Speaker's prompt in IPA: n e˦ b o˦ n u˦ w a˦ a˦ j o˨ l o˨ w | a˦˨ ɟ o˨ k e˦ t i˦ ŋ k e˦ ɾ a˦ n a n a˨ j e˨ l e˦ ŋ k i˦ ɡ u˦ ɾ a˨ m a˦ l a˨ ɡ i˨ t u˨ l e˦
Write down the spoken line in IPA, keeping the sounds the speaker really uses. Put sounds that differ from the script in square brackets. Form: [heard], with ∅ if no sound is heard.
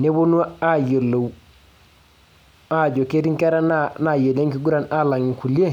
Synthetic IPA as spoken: n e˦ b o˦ n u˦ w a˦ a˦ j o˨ l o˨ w | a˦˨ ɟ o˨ k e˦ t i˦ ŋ k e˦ ɾ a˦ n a n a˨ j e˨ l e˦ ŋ k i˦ ɡ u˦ ɾ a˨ [n] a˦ l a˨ [ŋ] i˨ [k] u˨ l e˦